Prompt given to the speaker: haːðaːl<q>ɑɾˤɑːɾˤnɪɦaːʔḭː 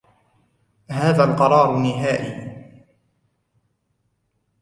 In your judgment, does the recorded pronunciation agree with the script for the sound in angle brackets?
yes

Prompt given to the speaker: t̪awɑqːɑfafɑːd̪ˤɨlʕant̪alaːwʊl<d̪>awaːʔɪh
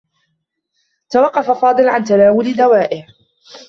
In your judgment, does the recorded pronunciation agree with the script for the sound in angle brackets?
yes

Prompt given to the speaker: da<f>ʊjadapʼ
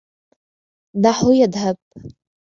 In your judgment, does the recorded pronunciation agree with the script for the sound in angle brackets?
no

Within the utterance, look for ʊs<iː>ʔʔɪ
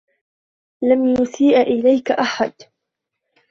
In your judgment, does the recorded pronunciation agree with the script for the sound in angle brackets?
yes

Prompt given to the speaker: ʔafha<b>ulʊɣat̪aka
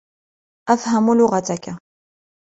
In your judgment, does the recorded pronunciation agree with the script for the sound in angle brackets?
no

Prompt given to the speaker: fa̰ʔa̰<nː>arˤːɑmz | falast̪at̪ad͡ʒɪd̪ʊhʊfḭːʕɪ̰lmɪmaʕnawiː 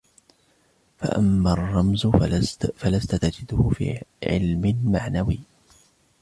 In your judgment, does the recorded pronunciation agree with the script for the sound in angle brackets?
no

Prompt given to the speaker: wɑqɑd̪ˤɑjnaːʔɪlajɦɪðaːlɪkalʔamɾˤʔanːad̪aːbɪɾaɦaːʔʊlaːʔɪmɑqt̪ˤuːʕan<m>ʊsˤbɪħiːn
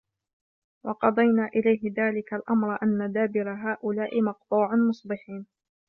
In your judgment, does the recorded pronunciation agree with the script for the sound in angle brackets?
yes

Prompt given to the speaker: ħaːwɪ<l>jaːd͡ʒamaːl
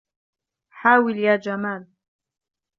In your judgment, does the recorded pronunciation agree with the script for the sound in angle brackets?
yes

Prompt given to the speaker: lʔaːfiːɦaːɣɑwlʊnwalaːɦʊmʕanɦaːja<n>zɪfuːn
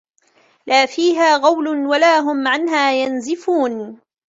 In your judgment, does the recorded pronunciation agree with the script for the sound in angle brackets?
yes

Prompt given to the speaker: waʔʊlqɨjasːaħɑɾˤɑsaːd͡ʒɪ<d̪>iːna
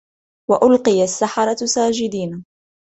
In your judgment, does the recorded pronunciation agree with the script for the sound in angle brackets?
yes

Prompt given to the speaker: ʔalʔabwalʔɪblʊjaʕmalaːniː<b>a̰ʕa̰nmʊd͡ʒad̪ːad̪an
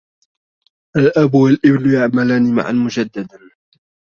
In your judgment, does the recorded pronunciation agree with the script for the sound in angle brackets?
no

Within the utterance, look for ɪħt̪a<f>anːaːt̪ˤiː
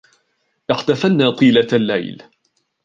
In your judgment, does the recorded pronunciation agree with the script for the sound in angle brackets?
yes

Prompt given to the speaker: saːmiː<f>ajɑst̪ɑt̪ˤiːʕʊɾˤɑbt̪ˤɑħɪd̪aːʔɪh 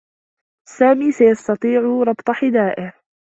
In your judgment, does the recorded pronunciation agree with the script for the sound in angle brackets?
no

